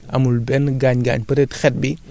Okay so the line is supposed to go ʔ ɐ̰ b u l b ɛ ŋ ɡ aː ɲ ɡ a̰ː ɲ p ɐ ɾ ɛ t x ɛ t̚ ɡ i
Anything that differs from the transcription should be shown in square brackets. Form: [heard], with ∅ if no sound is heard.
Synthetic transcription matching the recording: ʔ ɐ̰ [m] u l b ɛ [n] ɡ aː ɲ ɡ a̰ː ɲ p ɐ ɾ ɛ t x ɛ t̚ [b] i